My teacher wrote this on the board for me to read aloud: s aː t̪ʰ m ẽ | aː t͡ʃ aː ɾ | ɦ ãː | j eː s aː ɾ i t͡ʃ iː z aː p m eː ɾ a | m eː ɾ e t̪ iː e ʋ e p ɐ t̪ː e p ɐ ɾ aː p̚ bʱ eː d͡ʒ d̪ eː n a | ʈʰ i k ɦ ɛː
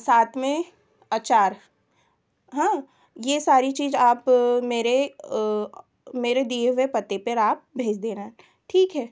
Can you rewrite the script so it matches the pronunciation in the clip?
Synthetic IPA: s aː t̪ʰ m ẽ | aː t͡ʃ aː ɾ | ɦ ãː | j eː s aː ɾ i t͡ʃ iː z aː p m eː ɾ e | m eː ɾ e d̪ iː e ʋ e p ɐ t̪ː e p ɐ ɾ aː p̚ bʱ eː d͡ʒ d̪ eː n a | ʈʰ iː k ɦ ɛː